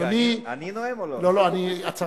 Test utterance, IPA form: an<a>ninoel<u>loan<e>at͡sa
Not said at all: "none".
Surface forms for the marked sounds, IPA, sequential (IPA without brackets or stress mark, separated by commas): i, o, i